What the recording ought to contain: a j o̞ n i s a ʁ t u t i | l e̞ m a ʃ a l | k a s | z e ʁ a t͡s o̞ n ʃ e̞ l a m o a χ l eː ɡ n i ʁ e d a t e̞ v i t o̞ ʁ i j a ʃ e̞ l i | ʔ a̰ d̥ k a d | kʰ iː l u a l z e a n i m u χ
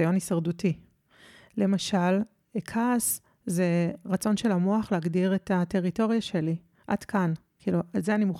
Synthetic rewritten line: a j o̞ n i s a ʁ d u t i | l e̞ m a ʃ a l | kʰ a s | z e ʁ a t͡s o̞ n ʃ e̞ l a m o a χ l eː ɡ d i ʁ e t a t e̞ ʁ i t o̞ ʁ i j a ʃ e̞ l i | ʔ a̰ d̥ k a n | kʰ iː l u a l z e a n i m u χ